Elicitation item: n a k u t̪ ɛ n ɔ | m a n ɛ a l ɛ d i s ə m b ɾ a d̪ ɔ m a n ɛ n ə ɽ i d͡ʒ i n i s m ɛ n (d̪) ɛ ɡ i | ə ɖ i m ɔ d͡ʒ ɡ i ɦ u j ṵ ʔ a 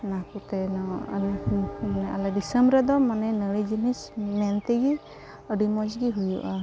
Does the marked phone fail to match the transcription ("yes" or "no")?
yes